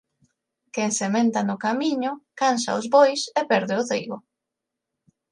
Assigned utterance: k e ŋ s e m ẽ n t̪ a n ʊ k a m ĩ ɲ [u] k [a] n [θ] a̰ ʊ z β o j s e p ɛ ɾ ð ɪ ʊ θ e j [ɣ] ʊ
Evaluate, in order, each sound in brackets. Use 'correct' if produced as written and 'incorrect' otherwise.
incorrect, correct, incorrect, correct

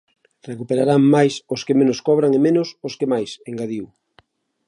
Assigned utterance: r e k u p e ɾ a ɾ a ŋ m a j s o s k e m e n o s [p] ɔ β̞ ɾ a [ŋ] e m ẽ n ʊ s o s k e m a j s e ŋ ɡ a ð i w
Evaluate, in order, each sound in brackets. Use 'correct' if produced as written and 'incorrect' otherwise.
incorrect, correct

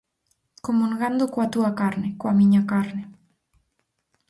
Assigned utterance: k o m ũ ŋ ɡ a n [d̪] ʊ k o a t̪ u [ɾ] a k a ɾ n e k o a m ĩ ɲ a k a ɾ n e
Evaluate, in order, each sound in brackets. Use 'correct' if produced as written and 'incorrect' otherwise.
correct, incorrect

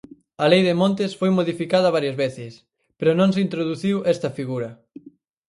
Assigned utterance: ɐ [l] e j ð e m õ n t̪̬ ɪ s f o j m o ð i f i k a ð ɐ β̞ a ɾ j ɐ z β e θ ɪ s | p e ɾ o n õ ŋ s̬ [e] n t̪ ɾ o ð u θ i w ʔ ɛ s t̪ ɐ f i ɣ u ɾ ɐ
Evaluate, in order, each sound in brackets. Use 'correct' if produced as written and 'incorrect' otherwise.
correct, incorrect

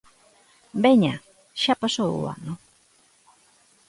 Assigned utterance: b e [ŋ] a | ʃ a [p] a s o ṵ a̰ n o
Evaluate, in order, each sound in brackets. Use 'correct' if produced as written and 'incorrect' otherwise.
incorrect, correct

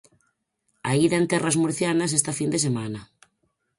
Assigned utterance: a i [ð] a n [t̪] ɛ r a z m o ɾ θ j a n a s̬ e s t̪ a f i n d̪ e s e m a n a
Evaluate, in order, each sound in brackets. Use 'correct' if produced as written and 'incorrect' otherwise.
correct, correct

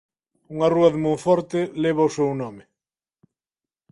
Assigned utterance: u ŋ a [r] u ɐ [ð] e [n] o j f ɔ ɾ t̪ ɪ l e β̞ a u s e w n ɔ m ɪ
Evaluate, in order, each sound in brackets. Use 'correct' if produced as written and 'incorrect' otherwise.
correct, correct, incorrect

